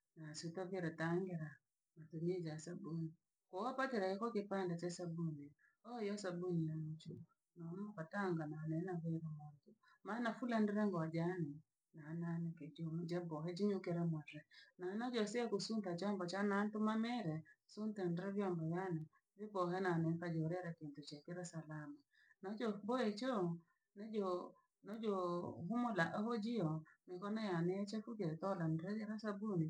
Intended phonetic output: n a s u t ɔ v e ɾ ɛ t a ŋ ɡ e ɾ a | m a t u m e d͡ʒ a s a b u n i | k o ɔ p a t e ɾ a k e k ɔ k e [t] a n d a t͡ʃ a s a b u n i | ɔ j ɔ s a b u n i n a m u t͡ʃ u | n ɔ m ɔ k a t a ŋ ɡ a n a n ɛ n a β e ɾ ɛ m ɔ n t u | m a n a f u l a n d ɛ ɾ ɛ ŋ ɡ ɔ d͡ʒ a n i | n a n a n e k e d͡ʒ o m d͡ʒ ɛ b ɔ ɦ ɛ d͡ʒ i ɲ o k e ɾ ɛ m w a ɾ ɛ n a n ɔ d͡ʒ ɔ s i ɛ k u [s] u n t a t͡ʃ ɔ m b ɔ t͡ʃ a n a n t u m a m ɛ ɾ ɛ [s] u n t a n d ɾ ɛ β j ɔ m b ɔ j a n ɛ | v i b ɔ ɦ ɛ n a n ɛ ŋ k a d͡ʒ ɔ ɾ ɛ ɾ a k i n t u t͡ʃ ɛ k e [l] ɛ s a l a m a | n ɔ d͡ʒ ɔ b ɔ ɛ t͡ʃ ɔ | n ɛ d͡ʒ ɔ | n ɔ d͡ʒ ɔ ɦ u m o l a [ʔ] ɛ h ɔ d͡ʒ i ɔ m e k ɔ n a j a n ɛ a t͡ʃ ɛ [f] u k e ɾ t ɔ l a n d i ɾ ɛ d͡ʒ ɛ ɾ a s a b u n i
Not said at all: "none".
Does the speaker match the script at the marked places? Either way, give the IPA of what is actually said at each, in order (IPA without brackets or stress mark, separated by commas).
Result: p, s, s, ɾ, ʔ, f